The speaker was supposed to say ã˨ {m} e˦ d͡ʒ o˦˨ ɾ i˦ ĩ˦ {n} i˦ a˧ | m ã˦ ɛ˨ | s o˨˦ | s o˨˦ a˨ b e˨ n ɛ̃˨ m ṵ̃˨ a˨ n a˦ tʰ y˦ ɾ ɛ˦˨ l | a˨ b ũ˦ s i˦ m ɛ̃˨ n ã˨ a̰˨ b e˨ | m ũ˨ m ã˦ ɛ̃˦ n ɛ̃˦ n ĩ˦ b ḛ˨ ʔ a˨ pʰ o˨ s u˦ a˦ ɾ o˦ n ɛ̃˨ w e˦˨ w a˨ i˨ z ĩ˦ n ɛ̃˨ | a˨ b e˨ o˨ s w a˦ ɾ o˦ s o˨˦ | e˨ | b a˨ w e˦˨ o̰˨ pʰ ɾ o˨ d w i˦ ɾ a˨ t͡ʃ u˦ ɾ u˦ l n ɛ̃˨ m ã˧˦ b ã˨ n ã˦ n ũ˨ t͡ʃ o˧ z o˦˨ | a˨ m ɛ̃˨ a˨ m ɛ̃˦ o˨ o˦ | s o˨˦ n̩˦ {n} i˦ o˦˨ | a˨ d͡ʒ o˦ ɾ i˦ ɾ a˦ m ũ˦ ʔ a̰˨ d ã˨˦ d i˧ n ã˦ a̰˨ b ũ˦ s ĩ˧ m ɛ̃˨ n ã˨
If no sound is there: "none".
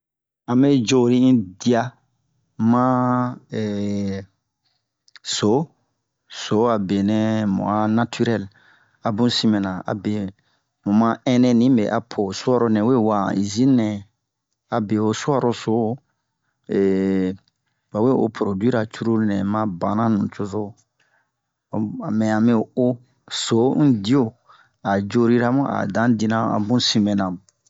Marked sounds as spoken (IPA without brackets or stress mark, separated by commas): m, d, d